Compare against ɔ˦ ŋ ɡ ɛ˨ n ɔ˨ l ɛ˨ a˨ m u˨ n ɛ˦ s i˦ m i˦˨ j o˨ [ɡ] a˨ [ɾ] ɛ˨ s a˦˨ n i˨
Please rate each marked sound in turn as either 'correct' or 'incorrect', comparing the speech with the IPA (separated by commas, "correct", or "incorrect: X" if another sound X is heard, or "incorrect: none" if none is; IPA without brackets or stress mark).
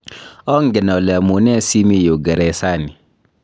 correct, correct